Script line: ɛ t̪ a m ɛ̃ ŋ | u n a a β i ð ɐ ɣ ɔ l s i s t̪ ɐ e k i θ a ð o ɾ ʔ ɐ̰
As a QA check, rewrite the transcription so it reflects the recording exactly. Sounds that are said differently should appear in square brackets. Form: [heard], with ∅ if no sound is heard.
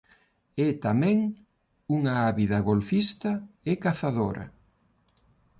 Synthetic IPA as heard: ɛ t̪ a m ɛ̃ ŋ | u [ŋ] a a β i ð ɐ ɣ [o] l [f] i s t̪ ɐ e k [a] θ a ð o ɾ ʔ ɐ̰

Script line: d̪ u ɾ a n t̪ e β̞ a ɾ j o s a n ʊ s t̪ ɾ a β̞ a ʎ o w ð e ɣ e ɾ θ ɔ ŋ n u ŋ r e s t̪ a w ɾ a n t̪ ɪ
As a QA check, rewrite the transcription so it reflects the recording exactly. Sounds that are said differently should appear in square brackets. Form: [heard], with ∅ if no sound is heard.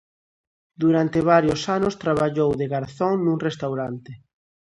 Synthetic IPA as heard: d̪ u ɾ a n t̪ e β̞ a ɾ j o s a n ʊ s t̪ ɾ a β̞ a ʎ o w ð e ɣ [a] ɾ θ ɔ ŋ n u ŋ r e s t̪ a w ɾ a n t̪ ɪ

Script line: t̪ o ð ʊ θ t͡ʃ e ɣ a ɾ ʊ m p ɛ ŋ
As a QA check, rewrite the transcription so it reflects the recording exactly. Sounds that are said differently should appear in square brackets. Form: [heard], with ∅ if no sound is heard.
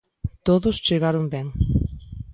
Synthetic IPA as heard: t̪ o ð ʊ [s] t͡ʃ e ɣ a ɾ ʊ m [b] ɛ ŋ

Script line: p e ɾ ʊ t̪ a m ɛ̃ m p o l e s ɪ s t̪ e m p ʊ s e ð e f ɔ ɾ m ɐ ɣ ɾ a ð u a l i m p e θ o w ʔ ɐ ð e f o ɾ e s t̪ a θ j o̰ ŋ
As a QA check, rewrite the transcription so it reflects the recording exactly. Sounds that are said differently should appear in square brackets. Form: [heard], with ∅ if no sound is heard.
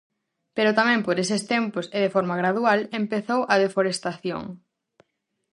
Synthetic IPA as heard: p e ɾ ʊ t̪ a m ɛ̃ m p o [ɾ] e s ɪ s t̪ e m p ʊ s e ð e f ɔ ɾ m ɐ ɣ ɾ a ð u a l [e] m p e θ o w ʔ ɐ ð e f o ɾ e s t̪ a θ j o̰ ŋ

